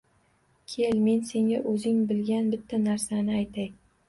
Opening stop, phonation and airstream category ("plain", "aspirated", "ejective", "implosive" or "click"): aspirated